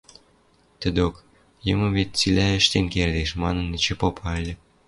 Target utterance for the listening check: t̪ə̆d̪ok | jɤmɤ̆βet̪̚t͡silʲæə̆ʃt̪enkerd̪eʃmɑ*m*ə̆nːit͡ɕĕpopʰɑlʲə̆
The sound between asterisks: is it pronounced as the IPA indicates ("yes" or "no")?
no